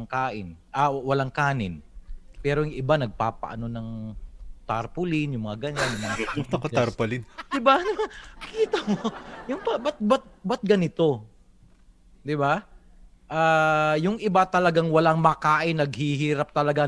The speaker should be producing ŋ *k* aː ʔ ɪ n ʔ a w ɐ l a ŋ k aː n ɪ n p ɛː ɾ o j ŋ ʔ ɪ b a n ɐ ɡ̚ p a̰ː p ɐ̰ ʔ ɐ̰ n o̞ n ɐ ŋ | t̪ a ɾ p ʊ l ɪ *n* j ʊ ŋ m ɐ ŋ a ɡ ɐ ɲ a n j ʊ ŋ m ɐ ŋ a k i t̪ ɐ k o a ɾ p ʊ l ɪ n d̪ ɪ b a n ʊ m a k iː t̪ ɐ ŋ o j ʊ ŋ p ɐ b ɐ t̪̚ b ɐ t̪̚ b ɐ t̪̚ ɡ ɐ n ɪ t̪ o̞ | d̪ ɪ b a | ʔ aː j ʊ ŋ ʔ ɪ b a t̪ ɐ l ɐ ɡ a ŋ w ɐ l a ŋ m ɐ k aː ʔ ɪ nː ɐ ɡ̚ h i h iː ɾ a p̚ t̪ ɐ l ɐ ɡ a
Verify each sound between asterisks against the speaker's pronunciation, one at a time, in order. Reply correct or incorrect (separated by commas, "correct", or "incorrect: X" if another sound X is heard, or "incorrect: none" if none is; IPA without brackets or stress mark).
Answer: correct, correct